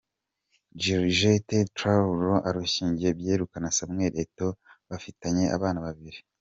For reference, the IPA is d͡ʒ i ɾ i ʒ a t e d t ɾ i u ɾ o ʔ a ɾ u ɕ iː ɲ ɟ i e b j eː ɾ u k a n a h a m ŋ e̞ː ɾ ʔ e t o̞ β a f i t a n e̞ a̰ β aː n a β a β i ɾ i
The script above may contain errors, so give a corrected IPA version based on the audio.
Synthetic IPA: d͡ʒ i ɾ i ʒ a t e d t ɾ a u ɾ o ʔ a ɾ u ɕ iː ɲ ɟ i e b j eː ɾ u k a n a s a m ŋ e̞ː ɾ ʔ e t o̞ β a f i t a ɲ e̞ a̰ β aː n a β a β i ɾ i